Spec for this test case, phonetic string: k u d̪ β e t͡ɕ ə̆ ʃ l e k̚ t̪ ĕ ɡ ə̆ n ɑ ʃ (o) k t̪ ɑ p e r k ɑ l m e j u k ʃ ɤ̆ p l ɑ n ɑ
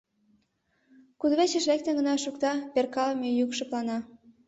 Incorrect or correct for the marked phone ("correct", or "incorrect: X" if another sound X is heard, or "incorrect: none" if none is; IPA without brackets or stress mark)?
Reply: incorrect: u